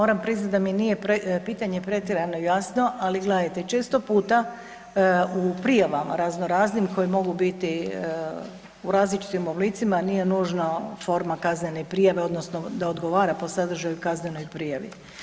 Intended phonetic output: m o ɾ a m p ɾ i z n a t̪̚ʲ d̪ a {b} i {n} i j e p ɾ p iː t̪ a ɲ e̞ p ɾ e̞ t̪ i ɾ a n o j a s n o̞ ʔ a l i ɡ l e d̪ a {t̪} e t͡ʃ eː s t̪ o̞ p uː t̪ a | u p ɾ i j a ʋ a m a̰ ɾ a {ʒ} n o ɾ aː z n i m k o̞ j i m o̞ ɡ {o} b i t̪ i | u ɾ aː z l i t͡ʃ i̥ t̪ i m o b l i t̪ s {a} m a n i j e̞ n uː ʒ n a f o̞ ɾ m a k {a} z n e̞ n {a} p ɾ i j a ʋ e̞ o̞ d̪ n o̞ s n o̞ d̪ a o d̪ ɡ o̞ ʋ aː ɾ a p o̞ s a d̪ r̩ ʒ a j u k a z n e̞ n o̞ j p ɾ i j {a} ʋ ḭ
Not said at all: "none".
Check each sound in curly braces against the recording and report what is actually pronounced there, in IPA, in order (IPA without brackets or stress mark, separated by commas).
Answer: m, n, t̪, z, u, i, a, e, a